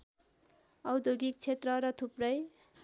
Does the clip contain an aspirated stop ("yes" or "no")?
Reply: yes